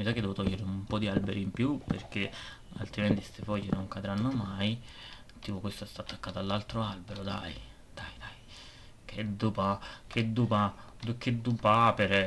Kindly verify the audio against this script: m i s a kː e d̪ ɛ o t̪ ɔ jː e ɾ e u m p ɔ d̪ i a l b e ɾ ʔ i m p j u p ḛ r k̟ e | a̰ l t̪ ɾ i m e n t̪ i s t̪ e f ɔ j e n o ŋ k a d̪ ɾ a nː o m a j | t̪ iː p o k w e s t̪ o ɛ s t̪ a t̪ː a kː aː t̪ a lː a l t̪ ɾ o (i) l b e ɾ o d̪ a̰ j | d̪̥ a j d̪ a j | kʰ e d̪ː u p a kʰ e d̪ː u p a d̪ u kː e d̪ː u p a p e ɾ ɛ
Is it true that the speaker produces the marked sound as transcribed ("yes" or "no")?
no